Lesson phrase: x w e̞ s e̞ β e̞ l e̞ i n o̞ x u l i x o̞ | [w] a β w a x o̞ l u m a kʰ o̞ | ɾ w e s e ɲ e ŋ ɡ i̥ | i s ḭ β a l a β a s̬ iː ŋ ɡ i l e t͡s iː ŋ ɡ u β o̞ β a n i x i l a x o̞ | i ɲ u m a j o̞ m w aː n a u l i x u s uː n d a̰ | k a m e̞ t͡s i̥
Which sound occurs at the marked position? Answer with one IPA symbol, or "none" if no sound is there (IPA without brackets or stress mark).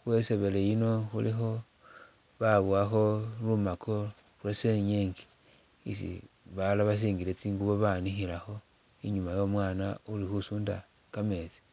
β